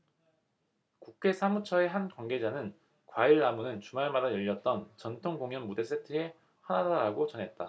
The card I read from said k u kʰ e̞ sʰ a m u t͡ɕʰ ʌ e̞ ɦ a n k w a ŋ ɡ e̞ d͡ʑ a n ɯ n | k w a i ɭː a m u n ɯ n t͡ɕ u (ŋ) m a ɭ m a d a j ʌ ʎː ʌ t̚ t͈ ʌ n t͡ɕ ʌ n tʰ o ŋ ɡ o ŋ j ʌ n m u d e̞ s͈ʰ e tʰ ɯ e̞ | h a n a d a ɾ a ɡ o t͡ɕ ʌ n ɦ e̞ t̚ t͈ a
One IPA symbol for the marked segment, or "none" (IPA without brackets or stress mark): none